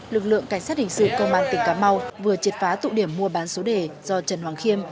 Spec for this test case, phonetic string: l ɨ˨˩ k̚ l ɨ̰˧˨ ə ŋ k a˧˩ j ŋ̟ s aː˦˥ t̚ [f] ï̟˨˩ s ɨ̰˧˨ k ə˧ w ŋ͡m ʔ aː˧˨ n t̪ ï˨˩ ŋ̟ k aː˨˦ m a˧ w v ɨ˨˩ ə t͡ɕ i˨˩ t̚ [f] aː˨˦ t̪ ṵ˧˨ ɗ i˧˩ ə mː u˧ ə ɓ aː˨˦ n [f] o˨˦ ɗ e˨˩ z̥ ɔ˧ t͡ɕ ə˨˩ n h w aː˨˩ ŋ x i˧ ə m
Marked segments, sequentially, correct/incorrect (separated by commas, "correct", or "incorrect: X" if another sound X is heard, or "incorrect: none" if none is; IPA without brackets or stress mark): incorrect: h, correct, incorrect: s